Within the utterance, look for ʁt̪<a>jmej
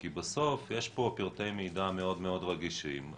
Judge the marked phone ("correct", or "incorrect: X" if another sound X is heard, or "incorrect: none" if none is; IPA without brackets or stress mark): incorrect: e